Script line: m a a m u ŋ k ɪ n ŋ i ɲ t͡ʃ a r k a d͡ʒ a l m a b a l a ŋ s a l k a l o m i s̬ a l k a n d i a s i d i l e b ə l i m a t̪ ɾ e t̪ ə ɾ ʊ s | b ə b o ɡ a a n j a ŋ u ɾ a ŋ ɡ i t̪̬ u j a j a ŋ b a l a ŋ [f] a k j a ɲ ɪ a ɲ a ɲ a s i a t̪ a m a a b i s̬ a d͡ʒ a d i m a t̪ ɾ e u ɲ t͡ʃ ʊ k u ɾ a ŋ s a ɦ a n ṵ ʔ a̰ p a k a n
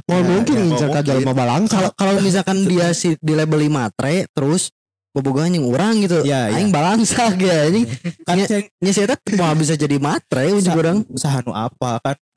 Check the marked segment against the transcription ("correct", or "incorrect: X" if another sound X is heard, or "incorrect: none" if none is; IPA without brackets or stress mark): incorrect: s